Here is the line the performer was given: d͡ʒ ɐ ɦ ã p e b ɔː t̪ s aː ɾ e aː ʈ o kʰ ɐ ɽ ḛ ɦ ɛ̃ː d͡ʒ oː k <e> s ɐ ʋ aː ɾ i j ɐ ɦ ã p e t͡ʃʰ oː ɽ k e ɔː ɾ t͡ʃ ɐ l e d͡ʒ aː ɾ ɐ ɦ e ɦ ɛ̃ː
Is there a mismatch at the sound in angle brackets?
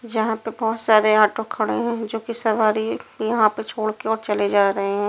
yes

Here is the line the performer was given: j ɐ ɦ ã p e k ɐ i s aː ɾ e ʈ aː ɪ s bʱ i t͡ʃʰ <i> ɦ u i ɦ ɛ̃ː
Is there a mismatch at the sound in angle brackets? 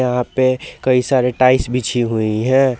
no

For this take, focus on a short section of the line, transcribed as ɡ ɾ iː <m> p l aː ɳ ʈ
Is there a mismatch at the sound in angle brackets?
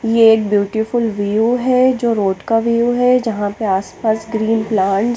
yes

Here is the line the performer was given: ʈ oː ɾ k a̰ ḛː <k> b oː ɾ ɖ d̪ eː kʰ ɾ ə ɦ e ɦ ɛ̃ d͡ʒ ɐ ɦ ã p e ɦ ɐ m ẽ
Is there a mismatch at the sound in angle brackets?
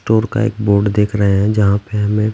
no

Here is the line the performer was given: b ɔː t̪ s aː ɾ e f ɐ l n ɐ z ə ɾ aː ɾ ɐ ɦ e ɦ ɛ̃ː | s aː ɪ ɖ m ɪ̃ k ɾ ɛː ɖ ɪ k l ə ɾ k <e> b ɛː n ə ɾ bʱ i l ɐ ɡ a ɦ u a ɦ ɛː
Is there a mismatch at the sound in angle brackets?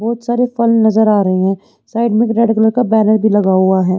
yes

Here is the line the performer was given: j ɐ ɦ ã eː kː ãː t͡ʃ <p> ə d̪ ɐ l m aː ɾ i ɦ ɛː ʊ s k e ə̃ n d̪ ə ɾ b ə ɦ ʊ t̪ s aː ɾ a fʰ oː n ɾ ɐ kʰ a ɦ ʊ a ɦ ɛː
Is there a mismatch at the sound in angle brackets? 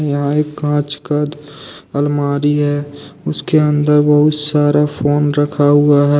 yes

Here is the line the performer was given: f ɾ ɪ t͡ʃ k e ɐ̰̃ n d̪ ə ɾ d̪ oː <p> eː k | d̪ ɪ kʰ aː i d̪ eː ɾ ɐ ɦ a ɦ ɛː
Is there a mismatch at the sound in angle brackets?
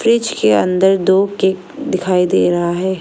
yes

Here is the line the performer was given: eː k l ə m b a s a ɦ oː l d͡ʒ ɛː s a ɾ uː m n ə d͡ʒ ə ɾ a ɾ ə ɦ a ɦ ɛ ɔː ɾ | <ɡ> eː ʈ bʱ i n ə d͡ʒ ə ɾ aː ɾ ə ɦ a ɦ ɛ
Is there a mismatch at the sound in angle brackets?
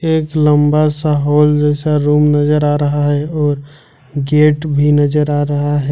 no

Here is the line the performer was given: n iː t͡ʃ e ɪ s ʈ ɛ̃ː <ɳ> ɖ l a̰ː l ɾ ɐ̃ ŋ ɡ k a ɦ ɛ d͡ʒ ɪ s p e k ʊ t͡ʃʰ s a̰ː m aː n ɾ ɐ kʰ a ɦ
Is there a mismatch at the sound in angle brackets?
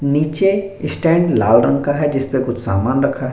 no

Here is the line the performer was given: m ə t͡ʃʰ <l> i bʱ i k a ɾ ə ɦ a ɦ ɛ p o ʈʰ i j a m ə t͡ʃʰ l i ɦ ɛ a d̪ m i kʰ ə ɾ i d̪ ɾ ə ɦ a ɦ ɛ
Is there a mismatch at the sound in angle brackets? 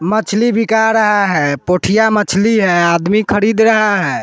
no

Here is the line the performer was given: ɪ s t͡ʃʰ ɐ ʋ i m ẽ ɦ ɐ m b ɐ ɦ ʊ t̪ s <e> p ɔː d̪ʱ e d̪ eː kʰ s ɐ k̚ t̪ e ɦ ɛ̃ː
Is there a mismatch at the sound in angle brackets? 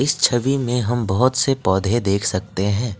no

